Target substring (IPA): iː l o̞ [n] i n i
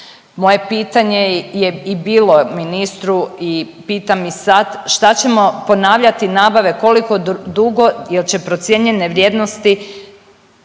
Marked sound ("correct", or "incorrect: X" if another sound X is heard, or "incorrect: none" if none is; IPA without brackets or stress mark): incorrect: m